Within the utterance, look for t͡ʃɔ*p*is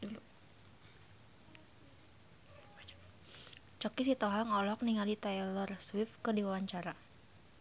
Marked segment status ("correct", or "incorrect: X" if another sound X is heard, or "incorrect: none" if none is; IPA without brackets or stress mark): incorrect: k